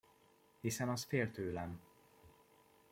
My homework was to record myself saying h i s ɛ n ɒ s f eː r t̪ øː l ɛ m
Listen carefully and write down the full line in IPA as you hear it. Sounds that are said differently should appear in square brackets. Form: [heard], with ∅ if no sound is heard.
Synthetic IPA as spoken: h i s ɛ n ɒ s f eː [l] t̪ øː l ɛ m